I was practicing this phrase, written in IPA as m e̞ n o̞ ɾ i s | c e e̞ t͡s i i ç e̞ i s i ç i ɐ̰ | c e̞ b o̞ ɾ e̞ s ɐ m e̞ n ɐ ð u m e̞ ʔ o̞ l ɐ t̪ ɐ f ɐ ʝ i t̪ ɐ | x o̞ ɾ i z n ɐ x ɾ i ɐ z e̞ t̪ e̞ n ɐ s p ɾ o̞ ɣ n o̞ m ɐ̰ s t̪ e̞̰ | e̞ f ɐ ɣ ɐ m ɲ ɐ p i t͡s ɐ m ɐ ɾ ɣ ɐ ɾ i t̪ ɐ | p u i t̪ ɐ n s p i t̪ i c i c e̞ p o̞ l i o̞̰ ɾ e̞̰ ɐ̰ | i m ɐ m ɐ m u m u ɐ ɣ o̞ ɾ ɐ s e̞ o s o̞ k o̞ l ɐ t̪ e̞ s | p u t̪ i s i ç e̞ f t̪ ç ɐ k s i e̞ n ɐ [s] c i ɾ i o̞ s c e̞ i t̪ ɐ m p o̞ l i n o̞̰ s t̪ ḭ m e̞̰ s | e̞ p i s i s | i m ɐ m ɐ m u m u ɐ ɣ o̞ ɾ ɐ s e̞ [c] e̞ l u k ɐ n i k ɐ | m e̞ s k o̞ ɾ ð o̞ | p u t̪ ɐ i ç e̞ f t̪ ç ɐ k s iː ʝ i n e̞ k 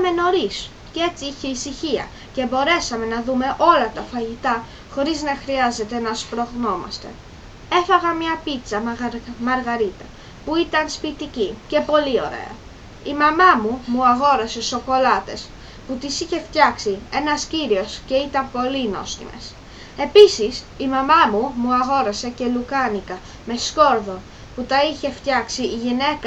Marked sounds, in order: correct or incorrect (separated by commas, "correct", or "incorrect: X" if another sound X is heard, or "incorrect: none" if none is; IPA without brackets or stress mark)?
correct, correct